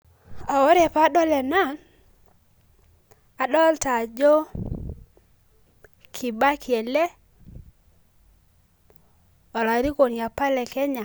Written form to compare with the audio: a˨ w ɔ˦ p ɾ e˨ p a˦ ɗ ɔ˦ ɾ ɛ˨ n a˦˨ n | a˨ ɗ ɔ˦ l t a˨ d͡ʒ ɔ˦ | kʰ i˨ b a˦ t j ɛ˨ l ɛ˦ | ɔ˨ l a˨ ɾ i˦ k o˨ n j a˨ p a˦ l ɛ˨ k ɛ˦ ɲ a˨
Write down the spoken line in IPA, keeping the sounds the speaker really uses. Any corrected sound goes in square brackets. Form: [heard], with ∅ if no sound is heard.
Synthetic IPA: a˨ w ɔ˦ [∅] ɾ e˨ p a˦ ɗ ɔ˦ [l] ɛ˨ n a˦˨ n | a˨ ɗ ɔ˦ l t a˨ d͡ʒ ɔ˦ | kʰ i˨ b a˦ [k] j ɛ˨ l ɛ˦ | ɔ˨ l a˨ ɾ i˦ k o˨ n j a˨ p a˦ l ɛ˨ k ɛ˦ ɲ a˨